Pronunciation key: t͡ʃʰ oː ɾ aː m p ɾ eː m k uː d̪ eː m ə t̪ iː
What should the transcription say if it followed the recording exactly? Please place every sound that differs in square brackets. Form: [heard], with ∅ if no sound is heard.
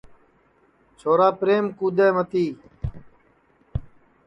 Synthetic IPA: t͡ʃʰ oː ɾ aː [∅] p ɾ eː m k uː d̪ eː m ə t̪ iː